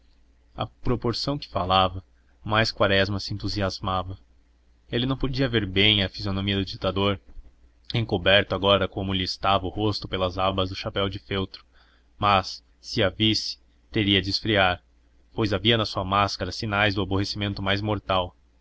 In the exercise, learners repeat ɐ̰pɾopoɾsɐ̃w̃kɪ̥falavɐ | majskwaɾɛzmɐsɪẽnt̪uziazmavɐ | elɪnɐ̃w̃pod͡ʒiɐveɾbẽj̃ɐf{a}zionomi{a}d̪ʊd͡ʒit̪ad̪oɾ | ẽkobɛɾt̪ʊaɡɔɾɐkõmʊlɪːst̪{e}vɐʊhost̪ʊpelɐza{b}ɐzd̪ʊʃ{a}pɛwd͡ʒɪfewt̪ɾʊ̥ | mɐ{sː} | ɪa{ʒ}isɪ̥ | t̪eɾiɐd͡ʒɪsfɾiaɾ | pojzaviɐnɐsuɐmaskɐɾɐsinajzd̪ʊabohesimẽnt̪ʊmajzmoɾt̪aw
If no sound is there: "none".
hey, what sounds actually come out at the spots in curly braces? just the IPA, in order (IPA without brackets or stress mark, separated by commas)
i, ɐ, a, b, a, sː, v